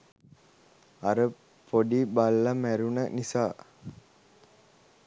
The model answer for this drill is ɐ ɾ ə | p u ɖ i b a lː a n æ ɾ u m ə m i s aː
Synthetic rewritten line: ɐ ɾ ə | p o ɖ i b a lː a m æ ɾ u n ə n i s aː